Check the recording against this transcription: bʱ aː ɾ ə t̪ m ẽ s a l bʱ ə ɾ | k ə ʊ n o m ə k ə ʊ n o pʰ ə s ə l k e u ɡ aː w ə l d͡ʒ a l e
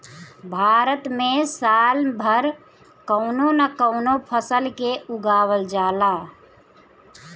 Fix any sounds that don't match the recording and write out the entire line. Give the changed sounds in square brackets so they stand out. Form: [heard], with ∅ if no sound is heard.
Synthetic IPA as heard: bʱ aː ɾ ə t̪ m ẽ s a l bʱ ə ɾ | k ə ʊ n o [n] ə k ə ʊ n o pʰ ə s ə l k e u ɡ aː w ə l d͡ʒ a l [a]

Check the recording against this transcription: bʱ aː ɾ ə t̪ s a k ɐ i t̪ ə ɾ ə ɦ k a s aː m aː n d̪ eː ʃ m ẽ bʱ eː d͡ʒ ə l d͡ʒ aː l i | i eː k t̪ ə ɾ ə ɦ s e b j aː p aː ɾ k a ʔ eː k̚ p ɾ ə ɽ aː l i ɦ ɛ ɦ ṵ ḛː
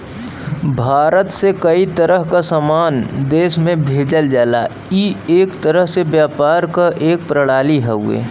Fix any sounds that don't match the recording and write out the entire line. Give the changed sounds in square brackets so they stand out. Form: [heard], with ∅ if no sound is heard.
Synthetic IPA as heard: bʱ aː ɾ ə t̪ s [e] k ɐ i t̪ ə ɾ ə ɦ k a s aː m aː n d̪ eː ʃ m ẽ bʱ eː d͡ʒ ə l d͡ʒ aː l [a] | i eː k t̪ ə ɾ ə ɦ s e b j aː p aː ɾ k a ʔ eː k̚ p ɾ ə ɽ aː l i ɦ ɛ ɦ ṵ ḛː

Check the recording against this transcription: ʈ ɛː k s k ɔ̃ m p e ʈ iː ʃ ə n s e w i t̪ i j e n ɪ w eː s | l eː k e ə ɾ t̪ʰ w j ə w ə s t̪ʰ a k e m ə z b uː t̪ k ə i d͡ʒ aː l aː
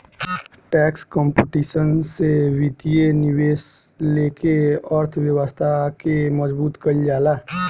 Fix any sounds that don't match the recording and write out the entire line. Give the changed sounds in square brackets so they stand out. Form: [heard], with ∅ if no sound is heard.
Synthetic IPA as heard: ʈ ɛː k s k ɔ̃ m p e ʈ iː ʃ ə n s e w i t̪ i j e n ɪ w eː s | l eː k e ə ɾ t̪ʰ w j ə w ə s t̪ʰ a k e m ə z b uː t̪ k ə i d͡ʒ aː l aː

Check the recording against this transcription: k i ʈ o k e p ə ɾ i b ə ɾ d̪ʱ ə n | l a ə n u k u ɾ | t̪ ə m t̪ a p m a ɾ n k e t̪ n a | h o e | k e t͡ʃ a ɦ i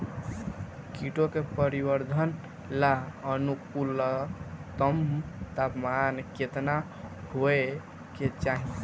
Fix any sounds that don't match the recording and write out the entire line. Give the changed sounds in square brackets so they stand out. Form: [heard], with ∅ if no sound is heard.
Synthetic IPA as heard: k i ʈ o k e p ə ɾ i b ə ɾ d̪ʱ ə n | l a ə n u k u [l] | t̪ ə m t̪ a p m a [∅] n k e t̪ n a | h o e | k e t͡ʃ a ɦ i

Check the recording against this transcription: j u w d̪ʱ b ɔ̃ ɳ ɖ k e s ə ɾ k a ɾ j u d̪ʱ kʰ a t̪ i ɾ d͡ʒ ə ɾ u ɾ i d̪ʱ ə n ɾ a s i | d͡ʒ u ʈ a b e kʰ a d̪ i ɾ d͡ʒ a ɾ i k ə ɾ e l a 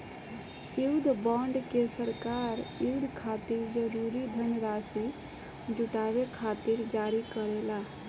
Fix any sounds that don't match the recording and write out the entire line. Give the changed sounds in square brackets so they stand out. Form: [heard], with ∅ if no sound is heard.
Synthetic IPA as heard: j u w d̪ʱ b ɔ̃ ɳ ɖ k e s ə ɾ k a ɾ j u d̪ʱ kʰ a t̪ i ɾ d͡ʒ ə ɾ u ɾ i d̪ʱ ə n ɾ a s i | d͡ʒ u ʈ a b e kʰ a [t̪] i ɾ d͡ʒ a ɾ i k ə ɾ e l a

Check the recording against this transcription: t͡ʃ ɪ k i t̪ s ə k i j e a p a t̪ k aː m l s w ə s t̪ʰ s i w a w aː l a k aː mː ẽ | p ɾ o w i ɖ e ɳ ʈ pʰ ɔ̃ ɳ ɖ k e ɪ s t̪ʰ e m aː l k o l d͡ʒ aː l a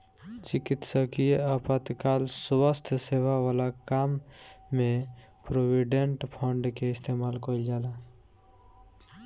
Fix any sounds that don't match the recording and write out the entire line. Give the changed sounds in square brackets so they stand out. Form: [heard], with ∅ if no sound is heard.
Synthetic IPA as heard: t͡ʃ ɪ k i t̪ s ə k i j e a p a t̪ k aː [∅] l s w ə s t̪ʰ s [e] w a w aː l a k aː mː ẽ | p ɾ o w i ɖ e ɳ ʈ pʰ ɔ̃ ɳ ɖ k e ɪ s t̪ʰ e m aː l k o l d͡ʒ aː l a

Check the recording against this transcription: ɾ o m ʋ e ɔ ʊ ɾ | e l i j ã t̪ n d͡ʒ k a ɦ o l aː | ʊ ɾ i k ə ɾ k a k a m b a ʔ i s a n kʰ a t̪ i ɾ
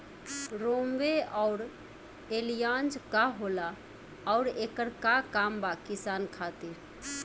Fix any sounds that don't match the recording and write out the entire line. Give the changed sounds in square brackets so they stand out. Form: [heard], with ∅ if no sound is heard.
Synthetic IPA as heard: ɾ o m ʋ e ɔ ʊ ɾ | e l i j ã [∅] n d͡ʒ k a ɦ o l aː | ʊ ɾ [e] k ə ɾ k a k a m b a [k] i s a n kʰ a t̪ i ɾ

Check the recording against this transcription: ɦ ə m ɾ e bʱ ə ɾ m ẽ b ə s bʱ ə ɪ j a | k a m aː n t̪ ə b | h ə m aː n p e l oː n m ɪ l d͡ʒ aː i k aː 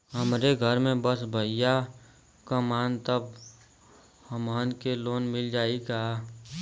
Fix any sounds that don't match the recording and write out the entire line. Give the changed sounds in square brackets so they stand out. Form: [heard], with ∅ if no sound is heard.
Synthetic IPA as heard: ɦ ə m ɾ e [ɡʱ] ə ɾ m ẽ b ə s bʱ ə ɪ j a | k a m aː n t̪ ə b | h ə m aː n [k] e l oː n m ɪ l d͡ʒ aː i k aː

